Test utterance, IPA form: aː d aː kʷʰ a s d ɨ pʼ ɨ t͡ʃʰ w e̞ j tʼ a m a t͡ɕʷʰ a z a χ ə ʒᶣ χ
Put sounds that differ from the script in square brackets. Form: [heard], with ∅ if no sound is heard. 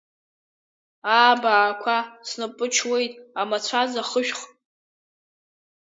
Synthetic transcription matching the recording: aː [b] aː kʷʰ a s [n] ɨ pʼ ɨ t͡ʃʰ w e̞ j tʼ a m a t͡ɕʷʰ a z a χ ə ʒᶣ χ